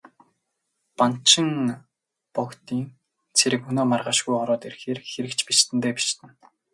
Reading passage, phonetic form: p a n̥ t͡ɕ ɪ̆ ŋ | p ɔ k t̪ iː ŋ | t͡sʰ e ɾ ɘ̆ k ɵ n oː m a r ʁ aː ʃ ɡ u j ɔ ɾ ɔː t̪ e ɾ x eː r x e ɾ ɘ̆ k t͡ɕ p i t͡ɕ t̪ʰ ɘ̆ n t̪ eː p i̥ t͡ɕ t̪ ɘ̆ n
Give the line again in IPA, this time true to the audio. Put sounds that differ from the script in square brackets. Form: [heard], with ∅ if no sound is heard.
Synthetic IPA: p a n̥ t͡ɕ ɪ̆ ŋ | p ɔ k t̪ iː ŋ | t͡sʰ e ɾ ɘ̆ k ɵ n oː m a r ʁ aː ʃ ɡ u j ɔ ɾ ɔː t̪ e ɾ x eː r x e ɾ ɘ̆ k t͡ɕ p i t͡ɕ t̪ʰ ɘ̆ n t̪ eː p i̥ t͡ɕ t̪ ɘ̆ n